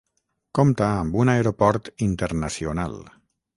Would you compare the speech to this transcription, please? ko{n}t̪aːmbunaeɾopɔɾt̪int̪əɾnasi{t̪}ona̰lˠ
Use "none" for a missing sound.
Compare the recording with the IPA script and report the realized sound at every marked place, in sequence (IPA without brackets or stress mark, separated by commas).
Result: m, none